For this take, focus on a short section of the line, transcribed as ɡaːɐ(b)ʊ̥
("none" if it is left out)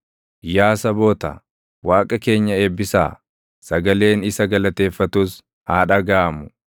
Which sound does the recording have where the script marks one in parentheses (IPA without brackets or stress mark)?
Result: m